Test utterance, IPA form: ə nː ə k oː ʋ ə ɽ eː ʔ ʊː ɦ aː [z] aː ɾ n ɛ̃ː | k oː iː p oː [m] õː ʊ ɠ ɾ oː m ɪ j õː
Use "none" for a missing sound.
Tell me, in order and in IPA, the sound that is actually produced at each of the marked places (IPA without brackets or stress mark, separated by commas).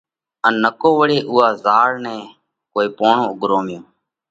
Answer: z, ɳ